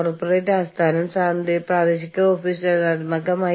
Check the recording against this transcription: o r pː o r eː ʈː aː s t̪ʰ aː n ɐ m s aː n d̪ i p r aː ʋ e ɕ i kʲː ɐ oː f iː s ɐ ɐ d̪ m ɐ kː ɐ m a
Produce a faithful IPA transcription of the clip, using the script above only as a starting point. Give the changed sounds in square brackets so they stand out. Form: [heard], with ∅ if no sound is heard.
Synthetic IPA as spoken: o r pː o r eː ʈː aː s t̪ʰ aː n ɐ m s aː n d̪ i p r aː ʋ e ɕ i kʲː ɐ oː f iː s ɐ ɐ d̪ m ɐ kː ɐ m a